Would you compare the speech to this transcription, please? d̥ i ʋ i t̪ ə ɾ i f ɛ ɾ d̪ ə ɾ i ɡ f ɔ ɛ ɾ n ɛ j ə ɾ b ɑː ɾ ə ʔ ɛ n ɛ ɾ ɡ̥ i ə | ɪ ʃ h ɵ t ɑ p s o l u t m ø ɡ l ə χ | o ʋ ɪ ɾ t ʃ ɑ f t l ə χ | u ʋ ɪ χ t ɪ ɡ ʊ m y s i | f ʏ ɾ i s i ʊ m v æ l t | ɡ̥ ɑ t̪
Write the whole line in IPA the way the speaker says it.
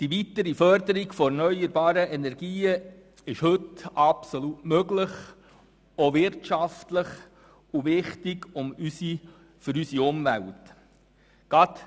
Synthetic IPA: d̥ i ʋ i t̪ ə ɾ i f œ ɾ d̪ ə ɾ i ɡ f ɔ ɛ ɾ n œ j ə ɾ b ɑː ɾ ə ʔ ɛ n ɛ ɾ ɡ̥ iː ə | ɪ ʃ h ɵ t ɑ p s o l u t m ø ɡ l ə χ | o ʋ ɪ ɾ t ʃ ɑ f t l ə χ | u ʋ ɪ χ t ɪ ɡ ʊ m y s i | f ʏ ɾ y s i ʊ m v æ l t | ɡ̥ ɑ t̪

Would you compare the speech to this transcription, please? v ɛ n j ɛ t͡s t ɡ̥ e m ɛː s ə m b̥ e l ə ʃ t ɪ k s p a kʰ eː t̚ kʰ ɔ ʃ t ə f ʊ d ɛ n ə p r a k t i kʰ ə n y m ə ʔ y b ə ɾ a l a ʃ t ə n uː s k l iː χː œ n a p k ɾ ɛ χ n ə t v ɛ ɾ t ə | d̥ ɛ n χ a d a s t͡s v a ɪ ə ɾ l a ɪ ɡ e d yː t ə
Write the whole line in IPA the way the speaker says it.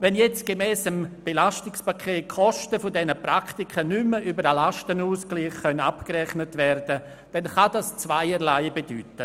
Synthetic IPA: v ɛ n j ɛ t͡s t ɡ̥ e m ɛː s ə m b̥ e l a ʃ t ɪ k s p a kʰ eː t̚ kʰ ɔ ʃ t ə f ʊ d ɛ n ə p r a k t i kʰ ə n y m ə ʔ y b ə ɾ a l a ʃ t ə n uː s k l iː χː œ n a p k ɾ ɛ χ n ə t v ɛ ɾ d ə | d̥ ɛ n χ a d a s t͡s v a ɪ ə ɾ l a ɪ b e d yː t ə

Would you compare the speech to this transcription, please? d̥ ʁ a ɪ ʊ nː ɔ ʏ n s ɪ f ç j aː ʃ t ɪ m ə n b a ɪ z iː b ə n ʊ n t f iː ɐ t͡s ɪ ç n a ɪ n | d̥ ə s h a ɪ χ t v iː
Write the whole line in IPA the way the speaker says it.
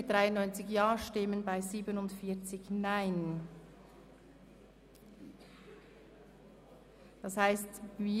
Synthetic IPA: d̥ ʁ a ɪ ʊ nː ɔ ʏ n t͡s ɪ ç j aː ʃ t ɪ m ə n b a ɪ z iː b ə n ʊ n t f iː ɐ t͡s ɪ ç n a ɪ n | d̥ ɑ s h a ɪ s t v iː

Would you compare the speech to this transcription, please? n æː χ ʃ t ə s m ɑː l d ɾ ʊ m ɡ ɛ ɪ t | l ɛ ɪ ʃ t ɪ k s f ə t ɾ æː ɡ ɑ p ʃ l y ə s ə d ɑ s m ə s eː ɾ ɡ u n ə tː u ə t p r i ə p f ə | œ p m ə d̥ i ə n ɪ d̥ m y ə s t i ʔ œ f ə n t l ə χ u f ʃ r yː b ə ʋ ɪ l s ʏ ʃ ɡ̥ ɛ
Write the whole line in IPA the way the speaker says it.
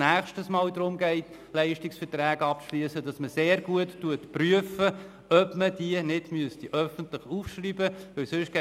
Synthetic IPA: n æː χ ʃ t ə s m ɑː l d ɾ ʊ m ɡ ɛ ɪ t | l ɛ ɪ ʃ t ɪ k s f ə t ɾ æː ɡ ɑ p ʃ l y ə s ə d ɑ s m ə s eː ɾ ɡ u ə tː u ə t p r y ə f ə | œ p m ə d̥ i ə n ɪ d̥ m y ə s t i ʔ œ f ə n t l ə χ u f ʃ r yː b ə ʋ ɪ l s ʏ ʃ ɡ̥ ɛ

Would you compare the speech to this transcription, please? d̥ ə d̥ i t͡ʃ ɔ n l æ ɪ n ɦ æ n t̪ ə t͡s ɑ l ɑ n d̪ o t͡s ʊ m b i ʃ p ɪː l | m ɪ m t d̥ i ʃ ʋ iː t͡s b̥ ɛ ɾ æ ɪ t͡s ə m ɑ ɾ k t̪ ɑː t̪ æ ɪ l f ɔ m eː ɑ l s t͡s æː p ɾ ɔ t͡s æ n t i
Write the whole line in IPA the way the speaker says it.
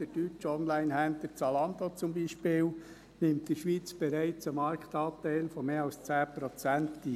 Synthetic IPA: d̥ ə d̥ y t͡ʃ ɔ n l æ ɪ n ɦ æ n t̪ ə t͡s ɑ l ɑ n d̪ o t͡s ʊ m b i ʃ p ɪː l | n ɪ m t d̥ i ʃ ʋ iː t͡s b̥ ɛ ɾ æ ɪ t͡s ə m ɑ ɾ k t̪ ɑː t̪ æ ɪ l f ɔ m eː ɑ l s t͡s æː p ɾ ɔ t͡s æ n t i

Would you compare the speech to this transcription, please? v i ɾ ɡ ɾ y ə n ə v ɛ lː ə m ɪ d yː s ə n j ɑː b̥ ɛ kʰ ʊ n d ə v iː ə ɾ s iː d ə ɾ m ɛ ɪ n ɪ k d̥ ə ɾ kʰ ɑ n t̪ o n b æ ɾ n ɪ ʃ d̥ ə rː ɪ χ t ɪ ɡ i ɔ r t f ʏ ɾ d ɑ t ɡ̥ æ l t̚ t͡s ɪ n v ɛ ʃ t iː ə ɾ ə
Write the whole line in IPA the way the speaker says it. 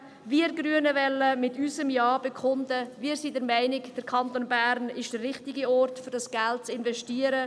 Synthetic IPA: v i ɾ ɡ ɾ y ə n ə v ɛ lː ə m ɪ t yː s ə m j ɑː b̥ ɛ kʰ ʊ n d ə v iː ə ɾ s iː d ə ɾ m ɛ ɪ n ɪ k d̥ ə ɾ kʰ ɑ n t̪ o n b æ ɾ n ɪ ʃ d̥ ə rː ɪ χ t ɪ ɡ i ɔ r t f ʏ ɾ d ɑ s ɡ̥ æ l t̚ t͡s ɪ n v ɛ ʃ t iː ə ɾ ə

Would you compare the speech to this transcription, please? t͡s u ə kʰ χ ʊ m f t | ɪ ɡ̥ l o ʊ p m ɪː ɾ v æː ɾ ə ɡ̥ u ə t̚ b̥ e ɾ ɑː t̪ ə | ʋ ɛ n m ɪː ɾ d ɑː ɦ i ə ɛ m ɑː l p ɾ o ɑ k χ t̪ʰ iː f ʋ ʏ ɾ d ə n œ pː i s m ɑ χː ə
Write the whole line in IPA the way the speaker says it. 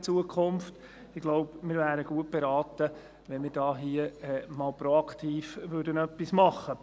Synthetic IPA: t͡s u ə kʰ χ ʊ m f t | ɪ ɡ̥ l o ʊ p m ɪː ɾ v æː ɾ ə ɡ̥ u ə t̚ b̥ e ɾ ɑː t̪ ə | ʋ ɛ n m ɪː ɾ d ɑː ɦ i ə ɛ m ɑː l p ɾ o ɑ k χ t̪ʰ iː f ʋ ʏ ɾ d ə n œ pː i s m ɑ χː ə

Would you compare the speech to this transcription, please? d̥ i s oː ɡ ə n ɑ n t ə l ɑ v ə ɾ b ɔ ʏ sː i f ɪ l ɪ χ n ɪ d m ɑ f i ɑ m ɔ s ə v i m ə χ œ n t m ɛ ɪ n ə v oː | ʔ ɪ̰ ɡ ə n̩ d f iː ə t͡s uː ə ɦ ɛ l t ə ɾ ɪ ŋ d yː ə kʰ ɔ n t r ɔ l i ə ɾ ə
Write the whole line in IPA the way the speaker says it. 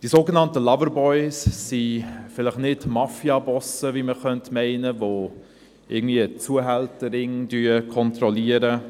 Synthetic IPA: d̥ i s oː ɡ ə n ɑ n t ə l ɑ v ə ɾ b ɔ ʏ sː i f ɪ l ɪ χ n ɪ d m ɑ f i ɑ b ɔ s ə v i m ə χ œ n t m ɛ ɪ n ə v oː | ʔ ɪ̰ ɡ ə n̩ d v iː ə t͡s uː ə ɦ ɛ l t ə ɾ ɪ ŋ d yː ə kʰ ɔ n t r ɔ l i ə ɾ ə

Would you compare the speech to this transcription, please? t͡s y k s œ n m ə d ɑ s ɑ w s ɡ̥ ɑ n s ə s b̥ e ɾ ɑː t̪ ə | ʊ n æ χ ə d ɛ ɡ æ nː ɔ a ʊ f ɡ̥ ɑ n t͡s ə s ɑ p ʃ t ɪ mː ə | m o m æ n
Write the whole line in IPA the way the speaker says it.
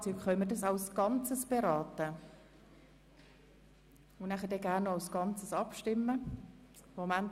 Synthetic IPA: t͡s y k χ œ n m ə d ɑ s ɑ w s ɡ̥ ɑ n t͡s ə s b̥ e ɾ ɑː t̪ ə | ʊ n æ χ ə d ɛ ɡ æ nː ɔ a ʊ s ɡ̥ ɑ n t͡s ə s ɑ p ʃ t ɪ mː ə | m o m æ n

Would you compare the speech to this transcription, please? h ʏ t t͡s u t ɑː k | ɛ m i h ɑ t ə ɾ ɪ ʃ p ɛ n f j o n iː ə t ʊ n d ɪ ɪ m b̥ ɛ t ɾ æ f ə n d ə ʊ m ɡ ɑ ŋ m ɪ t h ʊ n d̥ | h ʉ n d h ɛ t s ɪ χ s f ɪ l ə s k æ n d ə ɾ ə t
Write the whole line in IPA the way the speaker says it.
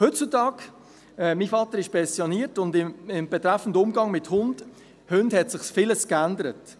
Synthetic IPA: h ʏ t t͡s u t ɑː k | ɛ m i f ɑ t ə ɾ ɪ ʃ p ɛ n s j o n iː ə t ʊ n d ɪ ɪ m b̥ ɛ t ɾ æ f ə n d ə ʊ m ɡ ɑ ŋ m ɪ t h ʊ n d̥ | h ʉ n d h ɛ t s ɪ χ s f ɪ l ə s k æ n d ə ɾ ə t

